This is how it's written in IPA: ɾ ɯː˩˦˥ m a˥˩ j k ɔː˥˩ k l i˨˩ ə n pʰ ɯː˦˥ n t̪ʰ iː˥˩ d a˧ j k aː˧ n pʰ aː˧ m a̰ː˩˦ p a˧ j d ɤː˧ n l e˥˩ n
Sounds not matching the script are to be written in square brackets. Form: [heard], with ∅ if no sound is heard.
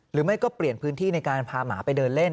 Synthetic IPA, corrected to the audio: ɾ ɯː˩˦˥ m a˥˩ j k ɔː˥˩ [p] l i˨˩ ə n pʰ ɯː˦˥ n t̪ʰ iː˥˩ [n] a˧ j k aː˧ n pʰ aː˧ m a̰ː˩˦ p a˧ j d ɤː˧ n l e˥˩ n